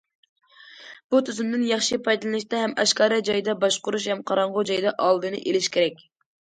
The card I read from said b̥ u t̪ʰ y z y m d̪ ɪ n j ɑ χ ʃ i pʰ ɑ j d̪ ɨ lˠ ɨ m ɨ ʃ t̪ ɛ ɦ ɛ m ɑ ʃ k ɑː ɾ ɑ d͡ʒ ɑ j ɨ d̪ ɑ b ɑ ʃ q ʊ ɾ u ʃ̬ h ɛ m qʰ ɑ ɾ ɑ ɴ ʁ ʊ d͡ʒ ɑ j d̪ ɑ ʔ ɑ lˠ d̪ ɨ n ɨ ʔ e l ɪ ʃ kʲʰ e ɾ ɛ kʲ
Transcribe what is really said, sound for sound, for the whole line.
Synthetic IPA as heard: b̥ u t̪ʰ y z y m d̪ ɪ n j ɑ χ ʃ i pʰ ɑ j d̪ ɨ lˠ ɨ n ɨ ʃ t̪ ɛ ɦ ɛ m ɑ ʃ k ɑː ɾ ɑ d͡ʒ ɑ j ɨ d̪ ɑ b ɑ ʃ q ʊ ɾ u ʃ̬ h ɛ m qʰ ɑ ɾ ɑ ɴ ʁ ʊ d͡ʒ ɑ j d̪ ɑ ʔ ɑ lˠ d̪ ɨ n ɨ ʔ e l ɪ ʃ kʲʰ e ɾ ɛ kʲ